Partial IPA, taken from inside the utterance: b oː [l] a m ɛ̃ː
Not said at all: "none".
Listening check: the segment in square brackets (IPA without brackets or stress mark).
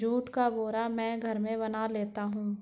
ɾ